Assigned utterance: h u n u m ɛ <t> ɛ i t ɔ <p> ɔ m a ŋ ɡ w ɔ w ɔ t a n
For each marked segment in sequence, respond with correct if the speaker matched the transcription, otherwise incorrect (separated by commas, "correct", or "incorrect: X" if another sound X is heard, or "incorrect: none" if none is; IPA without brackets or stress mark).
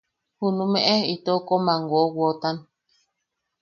incorrect: ʔ, incorrect: k